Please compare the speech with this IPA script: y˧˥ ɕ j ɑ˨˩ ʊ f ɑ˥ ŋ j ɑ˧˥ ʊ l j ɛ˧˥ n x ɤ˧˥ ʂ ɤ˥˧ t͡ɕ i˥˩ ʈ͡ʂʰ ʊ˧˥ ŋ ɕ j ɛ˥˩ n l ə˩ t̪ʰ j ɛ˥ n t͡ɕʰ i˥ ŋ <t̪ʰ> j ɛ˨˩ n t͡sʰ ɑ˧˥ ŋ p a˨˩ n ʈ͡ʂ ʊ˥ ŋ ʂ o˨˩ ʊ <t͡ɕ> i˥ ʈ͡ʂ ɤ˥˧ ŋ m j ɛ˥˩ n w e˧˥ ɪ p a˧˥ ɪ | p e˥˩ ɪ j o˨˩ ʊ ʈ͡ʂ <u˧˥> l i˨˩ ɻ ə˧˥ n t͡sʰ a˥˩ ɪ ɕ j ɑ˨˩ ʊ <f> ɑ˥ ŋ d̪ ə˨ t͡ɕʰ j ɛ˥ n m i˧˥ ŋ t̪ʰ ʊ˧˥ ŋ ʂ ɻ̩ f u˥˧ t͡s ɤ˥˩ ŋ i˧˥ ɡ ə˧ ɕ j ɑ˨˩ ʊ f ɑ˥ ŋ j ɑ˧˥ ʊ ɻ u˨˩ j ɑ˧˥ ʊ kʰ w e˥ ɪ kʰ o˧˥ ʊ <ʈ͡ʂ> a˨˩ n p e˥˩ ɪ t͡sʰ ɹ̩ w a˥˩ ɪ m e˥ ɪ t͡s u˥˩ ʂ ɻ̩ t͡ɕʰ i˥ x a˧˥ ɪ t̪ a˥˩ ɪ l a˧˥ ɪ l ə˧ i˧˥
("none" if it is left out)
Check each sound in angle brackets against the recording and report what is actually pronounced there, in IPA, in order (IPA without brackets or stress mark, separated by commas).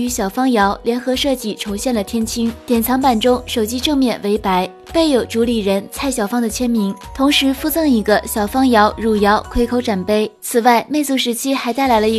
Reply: t̪, t͡ɕ, u˧˥, f, ʈ͡ʂ